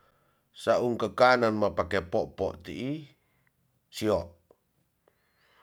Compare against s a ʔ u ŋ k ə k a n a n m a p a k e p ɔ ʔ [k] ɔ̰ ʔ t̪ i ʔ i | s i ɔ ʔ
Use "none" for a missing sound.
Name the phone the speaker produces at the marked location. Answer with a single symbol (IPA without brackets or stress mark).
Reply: p